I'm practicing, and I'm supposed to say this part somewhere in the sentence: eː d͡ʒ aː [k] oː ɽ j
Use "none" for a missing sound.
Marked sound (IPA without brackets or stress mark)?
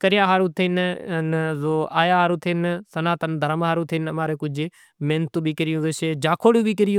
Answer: kʰ